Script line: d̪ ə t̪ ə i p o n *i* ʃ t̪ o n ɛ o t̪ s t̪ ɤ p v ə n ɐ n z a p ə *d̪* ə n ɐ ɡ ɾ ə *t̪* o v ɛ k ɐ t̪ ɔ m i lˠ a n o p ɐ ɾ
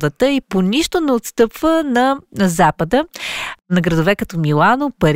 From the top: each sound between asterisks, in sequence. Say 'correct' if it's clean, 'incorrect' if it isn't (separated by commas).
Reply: correct, correct, incorrect